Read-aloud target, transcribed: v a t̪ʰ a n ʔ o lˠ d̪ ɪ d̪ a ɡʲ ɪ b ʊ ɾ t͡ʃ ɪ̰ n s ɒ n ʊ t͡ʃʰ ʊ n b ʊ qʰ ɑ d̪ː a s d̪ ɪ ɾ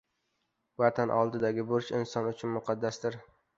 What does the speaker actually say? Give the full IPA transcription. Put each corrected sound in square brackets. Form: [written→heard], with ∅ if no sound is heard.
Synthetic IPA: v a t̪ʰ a n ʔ [o→ɒ] lˠ d̪ ɪ d̪ a ɡʲ ɪ b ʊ ɾ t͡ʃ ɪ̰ n s ɒ n ʊ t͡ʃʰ ʊ n [b→m] ʊ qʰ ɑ d̪ː a s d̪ ɪ ɾ

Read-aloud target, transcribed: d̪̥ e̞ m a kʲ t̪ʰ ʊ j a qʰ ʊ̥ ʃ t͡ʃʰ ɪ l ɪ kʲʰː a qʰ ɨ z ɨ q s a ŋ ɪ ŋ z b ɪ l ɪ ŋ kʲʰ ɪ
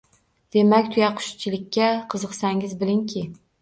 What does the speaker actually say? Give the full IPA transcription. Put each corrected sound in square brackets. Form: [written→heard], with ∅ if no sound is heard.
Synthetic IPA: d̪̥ e̞ m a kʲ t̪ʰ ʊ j a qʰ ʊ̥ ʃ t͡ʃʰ ɪ l ɪ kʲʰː a qʰ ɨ z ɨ q s a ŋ ɪ [ŋ→∅] z b ɪ l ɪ ŋ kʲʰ ɪ

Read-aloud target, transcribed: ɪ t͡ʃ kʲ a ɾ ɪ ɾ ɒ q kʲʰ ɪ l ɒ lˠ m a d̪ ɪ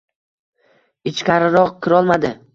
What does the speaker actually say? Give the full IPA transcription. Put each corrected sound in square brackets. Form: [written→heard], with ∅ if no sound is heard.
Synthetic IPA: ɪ t͡ʃ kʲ a ɾ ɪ ɾ ɒ q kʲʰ ɪ [l→ɾ] ɒ lˠ m a d̪ ɪ

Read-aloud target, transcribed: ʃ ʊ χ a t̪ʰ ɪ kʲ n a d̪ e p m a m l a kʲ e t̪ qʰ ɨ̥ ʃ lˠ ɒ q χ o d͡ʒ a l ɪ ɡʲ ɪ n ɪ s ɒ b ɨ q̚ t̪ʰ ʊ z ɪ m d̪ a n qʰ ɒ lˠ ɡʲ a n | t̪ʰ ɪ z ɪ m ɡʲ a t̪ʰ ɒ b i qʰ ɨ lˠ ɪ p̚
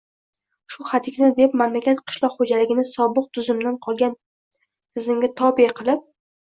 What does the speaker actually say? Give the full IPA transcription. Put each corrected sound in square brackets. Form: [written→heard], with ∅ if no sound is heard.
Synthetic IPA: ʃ ʊ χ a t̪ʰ ɪ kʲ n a d̪ e p m a m l a kʲ [e→a] t̪ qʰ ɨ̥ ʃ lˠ ɒ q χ o d͡ʒ a l ɪ ɡʲ ɪ n ɪ s ɒ b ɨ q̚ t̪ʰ ʊ z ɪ m d̪ a n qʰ ɒ lˠ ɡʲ a n | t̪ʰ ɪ z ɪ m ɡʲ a t̪ʰ ɒ b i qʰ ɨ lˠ ɪ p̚

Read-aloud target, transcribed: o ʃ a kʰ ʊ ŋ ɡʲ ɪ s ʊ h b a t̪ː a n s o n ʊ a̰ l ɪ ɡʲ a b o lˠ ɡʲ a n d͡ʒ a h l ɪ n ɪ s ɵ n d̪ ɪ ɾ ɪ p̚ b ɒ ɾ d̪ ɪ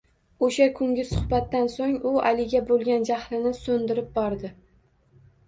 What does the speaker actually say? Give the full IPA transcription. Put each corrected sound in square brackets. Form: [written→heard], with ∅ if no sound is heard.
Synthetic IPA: o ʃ a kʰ ʊ ŋ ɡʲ ɪ s ʊ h b a t̪ː a n s o [n→ŋ] ʊ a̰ l ɪ ɡʲ a b o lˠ ɡʲ a n d͡ʒ a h l ɪ n ɪ s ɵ n d̪ ɪ ɾ ɪ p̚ b ɒ ɾ d̪ ɪ

